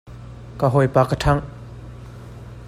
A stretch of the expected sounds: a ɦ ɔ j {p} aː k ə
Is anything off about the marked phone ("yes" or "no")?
no